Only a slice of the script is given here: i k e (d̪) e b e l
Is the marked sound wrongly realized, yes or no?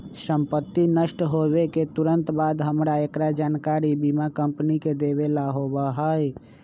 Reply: no